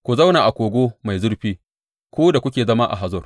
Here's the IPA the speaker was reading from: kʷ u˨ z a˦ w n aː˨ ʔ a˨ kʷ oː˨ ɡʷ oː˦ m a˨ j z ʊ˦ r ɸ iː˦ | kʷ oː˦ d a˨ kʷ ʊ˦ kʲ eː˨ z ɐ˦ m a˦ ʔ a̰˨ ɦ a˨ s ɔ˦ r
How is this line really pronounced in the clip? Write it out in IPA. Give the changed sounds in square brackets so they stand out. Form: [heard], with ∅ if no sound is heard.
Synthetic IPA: kʷ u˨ z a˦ w n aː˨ ʔ a˨ kʷ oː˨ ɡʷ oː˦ m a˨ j z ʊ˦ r ɸ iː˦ | kʷ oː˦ d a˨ kʷ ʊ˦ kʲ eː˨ z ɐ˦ m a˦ ʔ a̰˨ ɦ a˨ [z] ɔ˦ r